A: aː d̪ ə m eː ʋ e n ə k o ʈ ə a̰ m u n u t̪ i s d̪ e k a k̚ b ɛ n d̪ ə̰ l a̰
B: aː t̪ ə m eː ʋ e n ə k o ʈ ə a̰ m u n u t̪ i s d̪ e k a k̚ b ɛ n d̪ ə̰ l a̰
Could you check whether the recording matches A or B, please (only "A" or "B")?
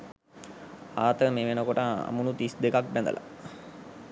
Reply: B